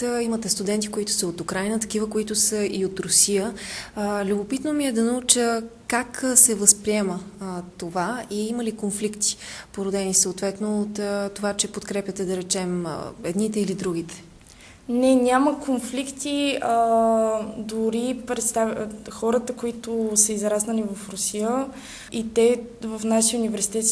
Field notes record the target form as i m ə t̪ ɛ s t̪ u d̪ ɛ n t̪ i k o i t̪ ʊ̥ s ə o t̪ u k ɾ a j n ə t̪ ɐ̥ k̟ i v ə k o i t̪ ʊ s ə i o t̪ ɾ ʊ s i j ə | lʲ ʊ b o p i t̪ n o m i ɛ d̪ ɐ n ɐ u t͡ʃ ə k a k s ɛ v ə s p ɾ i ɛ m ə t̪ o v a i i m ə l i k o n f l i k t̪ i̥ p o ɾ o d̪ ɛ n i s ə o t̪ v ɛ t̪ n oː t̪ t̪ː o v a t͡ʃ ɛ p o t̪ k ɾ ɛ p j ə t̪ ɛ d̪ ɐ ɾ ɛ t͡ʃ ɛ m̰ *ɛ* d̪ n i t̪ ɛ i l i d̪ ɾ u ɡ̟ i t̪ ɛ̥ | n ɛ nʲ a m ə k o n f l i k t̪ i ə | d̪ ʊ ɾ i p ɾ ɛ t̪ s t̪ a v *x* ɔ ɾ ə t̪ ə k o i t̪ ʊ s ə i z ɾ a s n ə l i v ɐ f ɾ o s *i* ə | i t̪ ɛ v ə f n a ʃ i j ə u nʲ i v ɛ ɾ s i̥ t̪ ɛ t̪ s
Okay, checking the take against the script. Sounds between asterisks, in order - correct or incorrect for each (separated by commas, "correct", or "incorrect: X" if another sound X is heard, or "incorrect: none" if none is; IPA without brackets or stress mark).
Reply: correct, correct, correct